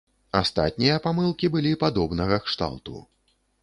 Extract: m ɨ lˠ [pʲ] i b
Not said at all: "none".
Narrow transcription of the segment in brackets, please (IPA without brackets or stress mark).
kʲ